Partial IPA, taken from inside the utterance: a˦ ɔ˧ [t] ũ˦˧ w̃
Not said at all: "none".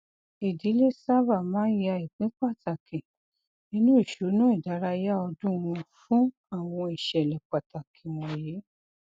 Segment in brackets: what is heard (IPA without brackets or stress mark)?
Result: d